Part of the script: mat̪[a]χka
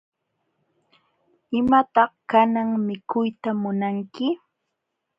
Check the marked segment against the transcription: incorrect: ɑ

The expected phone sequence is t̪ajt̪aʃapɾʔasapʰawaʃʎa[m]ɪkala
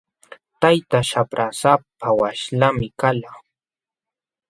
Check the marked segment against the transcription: correct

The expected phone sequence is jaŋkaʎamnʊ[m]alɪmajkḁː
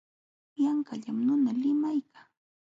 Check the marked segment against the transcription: incorrect: n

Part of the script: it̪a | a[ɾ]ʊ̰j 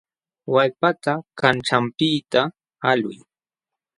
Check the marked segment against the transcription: incorrect: l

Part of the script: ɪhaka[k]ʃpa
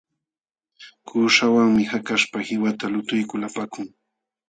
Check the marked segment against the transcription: incorrect: none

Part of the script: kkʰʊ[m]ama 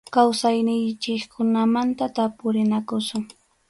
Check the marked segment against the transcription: incorrect: n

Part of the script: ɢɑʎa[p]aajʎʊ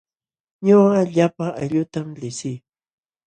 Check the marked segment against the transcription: correct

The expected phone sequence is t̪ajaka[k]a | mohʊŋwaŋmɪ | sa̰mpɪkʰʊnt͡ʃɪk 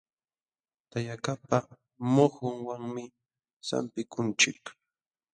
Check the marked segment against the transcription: incorrect: p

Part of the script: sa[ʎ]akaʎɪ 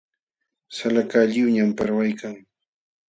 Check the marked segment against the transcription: incorrect: l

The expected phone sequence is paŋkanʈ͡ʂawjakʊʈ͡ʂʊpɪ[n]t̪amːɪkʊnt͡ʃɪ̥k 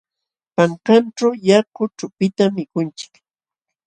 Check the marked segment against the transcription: incorrect: none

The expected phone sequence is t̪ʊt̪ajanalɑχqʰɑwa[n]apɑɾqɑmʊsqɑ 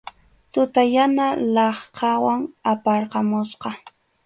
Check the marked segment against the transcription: incorrect: ŋ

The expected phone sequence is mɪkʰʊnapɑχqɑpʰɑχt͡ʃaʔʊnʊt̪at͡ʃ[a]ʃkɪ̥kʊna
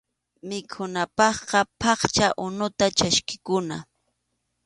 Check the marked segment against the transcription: correct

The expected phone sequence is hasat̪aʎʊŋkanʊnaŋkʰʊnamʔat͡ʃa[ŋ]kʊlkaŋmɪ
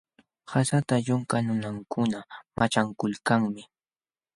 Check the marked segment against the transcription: correct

